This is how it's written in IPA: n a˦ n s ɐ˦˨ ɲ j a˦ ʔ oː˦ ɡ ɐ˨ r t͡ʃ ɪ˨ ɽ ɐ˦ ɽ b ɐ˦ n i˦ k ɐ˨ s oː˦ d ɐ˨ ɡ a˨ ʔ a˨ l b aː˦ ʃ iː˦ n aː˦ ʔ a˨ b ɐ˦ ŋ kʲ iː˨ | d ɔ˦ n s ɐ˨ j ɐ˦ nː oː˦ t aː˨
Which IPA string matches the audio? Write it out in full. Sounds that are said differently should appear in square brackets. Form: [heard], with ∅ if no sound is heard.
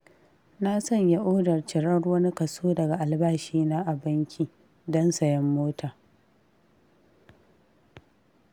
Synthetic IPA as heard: n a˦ [∅] s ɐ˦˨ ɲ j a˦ ʔ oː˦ [d] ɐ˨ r t͡ʃ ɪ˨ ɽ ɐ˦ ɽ [w] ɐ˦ n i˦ k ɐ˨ s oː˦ d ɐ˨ ɡ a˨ ʔ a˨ l b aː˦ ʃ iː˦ n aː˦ ʔ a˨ b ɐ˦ ŋ kʲ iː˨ | d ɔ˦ n s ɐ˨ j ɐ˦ [mː] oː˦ t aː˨